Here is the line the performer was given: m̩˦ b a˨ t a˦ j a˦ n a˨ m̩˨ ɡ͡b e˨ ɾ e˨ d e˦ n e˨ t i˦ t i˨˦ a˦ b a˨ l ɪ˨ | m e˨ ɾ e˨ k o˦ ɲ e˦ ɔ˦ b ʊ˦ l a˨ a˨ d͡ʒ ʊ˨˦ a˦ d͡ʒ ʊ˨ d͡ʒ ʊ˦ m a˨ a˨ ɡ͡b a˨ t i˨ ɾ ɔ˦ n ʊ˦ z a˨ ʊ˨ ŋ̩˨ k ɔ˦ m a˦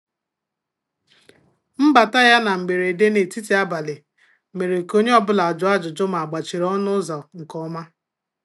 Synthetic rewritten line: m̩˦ b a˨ t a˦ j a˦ n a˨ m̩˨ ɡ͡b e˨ ɾ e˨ d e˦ n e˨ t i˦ t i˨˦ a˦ b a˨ l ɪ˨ | m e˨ ɾ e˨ k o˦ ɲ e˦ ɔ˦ b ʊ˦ l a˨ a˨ d͡ʒ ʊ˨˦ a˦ d͡ʒ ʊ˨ d͡ʒ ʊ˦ m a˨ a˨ ɡ͡b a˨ t͡ʃ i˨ ɾ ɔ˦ n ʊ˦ z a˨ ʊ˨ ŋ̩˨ k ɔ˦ m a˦